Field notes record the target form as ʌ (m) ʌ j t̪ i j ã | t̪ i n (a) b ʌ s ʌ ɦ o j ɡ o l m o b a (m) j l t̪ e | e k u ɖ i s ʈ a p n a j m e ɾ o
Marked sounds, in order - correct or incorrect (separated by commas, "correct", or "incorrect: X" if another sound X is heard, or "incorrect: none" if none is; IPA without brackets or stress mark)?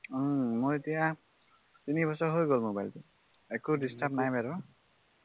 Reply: correct, incorrect: i, incorrect: none